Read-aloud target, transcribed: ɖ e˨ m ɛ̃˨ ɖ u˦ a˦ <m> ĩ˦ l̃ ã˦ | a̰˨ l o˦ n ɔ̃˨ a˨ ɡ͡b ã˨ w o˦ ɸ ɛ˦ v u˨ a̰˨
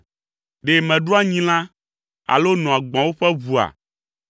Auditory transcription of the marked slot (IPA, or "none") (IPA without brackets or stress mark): ɲ